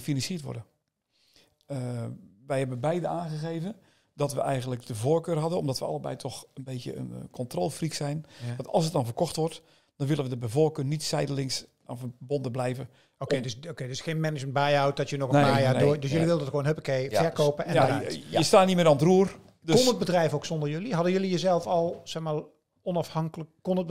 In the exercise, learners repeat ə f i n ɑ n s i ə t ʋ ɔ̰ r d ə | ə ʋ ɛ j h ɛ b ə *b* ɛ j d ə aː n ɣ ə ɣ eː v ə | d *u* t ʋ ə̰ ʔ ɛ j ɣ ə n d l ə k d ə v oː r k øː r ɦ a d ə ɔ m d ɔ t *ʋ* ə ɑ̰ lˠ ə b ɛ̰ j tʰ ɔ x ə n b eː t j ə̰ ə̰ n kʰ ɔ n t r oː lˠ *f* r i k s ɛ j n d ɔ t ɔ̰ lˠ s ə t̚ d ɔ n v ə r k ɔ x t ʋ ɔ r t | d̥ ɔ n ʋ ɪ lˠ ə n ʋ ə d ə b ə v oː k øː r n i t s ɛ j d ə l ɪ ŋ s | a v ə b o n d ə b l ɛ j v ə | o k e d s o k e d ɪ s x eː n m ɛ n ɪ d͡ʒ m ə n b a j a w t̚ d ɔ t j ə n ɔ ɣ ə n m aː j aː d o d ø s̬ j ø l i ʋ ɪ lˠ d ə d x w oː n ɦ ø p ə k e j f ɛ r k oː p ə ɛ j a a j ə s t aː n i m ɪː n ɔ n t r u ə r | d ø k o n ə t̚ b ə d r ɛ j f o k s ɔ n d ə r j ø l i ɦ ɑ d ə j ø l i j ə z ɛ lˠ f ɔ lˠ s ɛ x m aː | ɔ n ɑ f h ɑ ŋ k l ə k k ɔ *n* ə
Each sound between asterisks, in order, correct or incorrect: correct, incorrect, correct, correct, correct

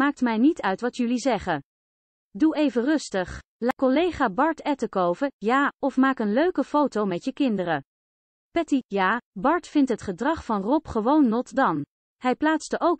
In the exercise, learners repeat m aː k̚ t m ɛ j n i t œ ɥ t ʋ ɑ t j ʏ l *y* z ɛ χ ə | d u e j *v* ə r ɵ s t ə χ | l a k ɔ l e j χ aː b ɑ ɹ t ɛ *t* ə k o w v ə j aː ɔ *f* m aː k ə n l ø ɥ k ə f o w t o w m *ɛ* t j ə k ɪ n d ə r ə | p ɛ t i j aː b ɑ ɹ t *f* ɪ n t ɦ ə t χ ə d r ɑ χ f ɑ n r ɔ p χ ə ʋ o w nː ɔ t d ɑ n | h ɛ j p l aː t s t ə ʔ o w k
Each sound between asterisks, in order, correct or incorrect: incorrect, correct, correct, correct, correct, correct

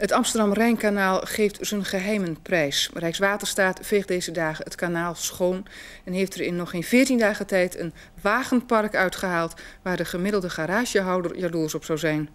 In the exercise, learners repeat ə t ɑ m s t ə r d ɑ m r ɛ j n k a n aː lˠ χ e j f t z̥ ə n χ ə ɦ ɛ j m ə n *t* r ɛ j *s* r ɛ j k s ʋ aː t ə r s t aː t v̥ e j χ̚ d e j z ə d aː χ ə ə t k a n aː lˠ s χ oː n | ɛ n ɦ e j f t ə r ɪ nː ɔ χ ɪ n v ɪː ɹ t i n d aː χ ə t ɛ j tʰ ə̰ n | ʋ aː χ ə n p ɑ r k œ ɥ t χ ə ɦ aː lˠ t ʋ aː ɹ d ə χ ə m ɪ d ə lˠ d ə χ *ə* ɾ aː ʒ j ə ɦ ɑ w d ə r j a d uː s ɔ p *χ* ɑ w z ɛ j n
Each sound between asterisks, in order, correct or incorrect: incorrect, correct, incorrect, incorrect

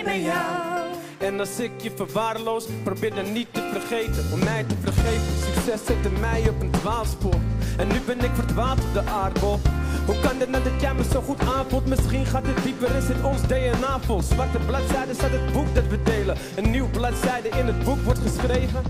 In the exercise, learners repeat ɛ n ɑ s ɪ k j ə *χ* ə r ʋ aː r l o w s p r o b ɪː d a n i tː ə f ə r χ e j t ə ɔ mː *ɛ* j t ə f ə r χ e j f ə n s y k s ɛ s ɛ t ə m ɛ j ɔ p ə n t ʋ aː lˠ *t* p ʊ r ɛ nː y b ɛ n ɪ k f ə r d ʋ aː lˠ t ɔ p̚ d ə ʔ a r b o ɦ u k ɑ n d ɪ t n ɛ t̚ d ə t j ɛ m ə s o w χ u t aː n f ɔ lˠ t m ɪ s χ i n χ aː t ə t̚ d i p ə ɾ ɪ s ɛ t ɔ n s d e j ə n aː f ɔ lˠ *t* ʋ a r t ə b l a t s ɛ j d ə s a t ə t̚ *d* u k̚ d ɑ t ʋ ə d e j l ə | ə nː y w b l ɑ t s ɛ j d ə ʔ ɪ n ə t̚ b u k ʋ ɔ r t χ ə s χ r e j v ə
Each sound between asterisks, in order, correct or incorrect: incorrect, correct, incorrect, incorrect, incorrect

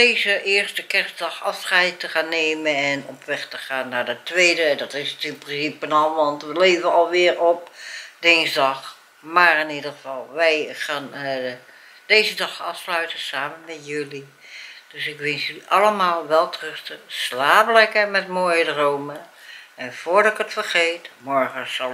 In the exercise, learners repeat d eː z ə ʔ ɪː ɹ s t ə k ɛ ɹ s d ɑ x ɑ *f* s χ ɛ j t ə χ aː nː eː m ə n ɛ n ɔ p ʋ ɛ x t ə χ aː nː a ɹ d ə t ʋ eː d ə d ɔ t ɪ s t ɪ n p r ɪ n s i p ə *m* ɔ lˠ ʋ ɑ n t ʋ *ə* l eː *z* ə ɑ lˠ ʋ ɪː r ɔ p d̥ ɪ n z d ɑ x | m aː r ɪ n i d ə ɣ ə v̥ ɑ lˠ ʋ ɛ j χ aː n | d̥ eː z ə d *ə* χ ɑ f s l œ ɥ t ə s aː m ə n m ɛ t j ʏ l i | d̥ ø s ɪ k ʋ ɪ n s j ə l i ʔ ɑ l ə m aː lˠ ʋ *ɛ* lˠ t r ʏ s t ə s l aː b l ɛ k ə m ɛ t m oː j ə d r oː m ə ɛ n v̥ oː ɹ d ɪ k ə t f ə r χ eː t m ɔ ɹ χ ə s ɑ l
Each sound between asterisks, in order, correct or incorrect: correct, incorrect, correct, incorrect, incorrect, correct

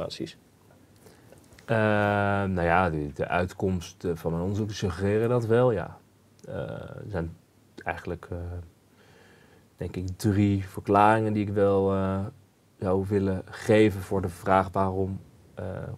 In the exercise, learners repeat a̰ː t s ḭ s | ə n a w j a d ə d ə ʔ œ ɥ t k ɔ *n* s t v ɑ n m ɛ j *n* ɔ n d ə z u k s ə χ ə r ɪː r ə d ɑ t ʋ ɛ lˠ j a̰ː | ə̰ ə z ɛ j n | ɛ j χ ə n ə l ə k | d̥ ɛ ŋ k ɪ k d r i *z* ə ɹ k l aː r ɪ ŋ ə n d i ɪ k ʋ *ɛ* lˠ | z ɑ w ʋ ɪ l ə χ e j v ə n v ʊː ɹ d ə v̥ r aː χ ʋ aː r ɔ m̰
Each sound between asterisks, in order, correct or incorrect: incorrect, correct, incorrect, correct

